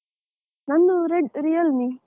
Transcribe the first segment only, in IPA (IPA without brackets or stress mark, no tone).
n